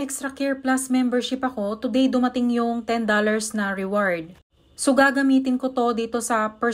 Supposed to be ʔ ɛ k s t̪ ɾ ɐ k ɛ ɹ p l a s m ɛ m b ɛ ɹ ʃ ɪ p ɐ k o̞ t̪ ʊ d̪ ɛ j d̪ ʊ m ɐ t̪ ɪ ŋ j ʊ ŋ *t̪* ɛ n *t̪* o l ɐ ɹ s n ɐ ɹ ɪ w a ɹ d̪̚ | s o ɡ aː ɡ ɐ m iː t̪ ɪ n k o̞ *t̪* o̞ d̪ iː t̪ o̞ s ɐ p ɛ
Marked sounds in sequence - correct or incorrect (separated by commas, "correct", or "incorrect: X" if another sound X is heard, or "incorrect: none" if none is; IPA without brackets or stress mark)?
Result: correct, incorrect: d̪, correct